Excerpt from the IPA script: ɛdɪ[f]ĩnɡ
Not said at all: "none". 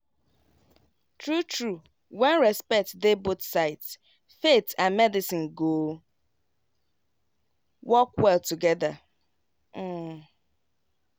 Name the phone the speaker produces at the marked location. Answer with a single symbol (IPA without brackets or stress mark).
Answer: s